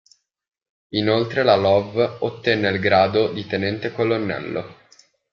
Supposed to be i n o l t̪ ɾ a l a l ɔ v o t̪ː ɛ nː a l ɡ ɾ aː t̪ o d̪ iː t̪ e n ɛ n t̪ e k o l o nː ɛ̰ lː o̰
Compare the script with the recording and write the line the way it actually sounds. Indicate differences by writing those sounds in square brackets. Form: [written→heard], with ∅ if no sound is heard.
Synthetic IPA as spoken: i n o l t̪ ɾ [a→e] l a l ɔ v o t̪ː ɛ nː [a→e] l ɡ ɾ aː [t̪→d̪] o d̪ [iː→i] t̪ e n ɛ n t̪ e k o l o nː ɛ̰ lː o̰